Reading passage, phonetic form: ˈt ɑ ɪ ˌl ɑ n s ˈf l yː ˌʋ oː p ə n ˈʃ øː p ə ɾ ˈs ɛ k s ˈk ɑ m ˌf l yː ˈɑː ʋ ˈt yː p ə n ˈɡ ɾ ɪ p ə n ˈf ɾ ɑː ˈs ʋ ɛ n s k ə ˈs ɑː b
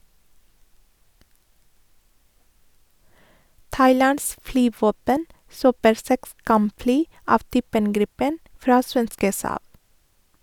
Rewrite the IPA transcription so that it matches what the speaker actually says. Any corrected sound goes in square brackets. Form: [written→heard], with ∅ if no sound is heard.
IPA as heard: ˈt ɑ ɪ ˌl ɑ n s ˈf l yː ˌʋ oː p ə n [ˈʃ→ˈs] øː p ə ɾ ˈs ɛ k s ˈk ɑ m ˌf l yː ˈɑː ʋ ˈt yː p ə n ˈɡ ɾ ɪ p ə n ˈf ɾ ɑː ˈs ʋ ɛ n s k ə ˈs ɑː b